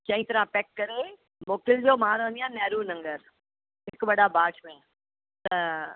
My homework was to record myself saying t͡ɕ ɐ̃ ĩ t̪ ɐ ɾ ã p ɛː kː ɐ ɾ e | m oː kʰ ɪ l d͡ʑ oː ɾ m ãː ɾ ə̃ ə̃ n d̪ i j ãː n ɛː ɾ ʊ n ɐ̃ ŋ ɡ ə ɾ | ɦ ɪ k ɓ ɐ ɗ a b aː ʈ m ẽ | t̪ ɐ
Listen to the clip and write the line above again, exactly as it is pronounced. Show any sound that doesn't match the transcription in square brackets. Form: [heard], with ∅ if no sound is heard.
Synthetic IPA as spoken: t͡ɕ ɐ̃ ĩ t̪ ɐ ɾ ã p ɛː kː ɐ ɾ e | m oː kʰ ɪ l d͡ʑ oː [∅] m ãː ɾ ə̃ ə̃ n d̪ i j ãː n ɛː ɾ [u] n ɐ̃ ŋ ɡ ə ɾ | ɦ ɪ k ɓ ɐ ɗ a b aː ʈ m ẽ | t̪ ɐ